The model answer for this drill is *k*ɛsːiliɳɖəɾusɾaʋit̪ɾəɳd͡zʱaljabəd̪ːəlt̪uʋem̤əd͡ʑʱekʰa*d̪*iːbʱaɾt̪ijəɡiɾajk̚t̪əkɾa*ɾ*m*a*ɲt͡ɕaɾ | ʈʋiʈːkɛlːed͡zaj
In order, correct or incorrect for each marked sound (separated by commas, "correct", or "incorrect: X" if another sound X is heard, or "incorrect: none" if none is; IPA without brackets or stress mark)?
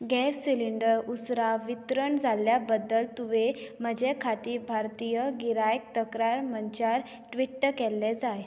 incorrect: ɡ, incorrect: t̪, correct, incorrect: ə